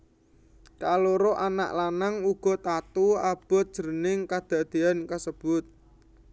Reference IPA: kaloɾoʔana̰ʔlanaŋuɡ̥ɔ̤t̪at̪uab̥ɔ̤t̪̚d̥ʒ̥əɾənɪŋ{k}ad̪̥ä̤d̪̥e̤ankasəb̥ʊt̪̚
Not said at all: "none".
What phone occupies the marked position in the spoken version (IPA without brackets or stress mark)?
k